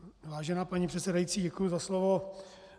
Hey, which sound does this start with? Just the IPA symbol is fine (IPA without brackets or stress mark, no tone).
v